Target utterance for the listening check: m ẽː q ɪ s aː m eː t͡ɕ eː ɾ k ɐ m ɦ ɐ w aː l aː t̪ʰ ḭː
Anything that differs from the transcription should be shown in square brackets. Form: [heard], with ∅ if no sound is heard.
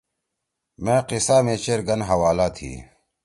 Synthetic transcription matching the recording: m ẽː q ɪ s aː m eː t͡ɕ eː ɾ [ɡ] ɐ [n] ɦ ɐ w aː l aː t̪ʰ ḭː